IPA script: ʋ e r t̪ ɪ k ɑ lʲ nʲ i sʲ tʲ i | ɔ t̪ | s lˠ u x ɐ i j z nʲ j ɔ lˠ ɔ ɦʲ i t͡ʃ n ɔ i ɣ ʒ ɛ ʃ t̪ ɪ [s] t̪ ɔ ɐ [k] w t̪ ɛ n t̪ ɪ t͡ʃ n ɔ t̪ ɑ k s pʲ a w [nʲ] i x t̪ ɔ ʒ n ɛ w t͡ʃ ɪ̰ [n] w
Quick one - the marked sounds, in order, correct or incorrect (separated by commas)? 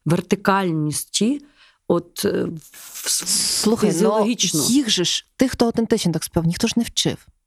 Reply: incorrect, incorrect, correct, incorrect